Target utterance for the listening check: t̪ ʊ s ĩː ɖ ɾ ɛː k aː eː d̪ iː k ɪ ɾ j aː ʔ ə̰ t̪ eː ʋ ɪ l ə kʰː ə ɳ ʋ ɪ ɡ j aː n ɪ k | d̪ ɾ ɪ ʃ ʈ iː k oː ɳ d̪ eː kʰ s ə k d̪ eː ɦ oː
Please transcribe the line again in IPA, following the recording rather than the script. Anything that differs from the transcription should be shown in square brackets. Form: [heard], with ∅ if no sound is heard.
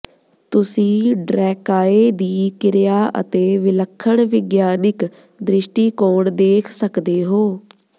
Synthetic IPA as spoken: t̪ ʊ s ĩː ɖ ɾ ɛː k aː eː d̪ iː k ɪ ɾ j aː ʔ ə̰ t̪ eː ʋ ɪ l ə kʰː ə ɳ ʋ ɪ ɡ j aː n ɪ k | d̪ ɾ ɪ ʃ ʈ iː k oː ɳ d̪ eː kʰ s ə k d̪ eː ɦ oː